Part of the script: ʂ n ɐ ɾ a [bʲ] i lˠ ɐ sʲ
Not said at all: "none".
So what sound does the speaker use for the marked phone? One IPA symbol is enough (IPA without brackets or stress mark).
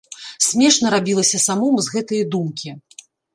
bʲ